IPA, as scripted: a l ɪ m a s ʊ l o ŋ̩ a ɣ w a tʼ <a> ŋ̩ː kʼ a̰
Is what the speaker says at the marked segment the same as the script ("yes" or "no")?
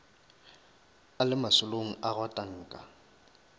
yes